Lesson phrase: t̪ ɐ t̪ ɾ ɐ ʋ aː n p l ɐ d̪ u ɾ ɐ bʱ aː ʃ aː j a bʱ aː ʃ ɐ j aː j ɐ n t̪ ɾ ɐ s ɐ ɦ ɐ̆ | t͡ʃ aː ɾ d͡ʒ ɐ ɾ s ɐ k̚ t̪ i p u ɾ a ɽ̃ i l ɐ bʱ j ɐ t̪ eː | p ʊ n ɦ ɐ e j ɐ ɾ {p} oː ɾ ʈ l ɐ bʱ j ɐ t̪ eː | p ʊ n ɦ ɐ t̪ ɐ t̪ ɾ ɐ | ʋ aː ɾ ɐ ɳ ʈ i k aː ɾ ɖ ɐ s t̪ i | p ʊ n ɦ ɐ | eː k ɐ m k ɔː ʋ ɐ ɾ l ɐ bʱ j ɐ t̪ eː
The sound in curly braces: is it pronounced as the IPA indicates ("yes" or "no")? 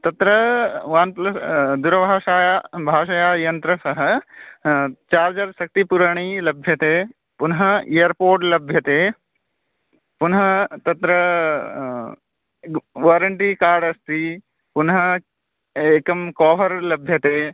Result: yes